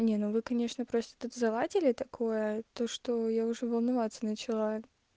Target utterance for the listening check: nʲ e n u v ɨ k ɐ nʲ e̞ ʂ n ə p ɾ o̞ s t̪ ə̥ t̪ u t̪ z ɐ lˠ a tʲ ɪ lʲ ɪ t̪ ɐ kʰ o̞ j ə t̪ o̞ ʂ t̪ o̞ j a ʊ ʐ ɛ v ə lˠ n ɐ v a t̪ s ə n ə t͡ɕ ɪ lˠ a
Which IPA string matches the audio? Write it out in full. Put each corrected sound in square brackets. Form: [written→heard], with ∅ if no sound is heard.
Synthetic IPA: nʲ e n u v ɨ k ɐ nʲ e̞ ʂ n ə p ɾ o̞ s t̪ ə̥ t̪ u t̪ z ɐ lˠ a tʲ ɪ lʲ ɪ t̪ ɐ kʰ o̞ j ə t̪ o̞ ʂ t̪ o̞ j a ʊ ʐ ɛ v ə lˠ n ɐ v a t̪ s ə n ə t͡ɕ ɪ lˠ a

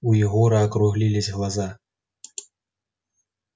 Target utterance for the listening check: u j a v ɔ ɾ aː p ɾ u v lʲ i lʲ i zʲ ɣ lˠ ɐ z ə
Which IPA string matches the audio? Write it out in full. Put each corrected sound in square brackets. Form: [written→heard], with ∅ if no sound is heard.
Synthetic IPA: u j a [v→ɣ] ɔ ɾ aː [p→k] ɾ u [v→ɣ] lʲ i lʲ i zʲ ɣ lˠ [ɐ→a] z [ə→a]

